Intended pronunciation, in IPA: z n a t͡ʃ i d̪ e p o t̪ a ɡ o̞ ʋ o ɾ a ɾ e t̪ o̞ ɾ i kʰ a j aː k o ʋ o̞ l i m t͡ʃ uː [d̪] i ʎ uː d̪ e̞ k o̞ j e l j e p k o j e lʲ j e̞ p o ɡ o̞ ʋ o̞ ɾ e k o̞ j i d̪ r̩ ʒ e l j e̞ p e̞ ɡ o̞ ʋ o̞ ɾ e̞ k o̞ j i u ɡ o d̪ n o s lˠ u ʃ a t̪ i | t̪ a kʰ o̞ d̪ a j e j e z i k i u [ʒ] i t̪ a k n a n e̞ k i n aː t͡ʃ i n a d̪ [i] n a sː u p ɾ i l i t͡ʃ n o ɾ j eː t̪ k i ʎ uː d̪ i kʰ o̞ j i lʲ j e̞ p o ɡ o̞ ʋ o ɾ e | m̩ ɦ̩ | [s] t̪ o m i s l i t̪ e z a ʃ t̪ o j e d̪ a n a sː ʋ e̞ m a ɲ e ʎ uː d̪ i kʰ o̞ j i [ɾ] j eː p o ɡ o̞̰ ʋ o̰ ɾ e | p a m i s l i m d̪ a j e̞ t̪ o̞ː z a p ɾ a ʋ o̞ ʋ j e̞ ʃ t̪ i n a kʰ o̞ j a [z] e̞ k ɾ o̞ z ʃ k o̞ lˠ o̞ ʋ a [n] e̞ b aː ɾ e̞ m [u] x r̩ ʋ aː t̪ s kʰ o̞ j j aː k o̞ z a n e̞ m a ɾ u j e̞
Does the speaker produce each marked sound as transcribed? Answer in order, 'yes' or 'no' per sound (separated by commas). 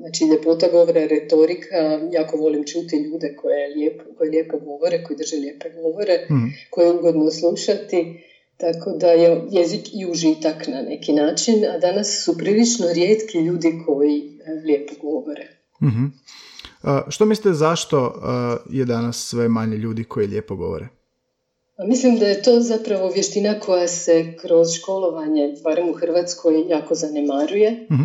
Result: no, yes, no, no, no, no, no, yes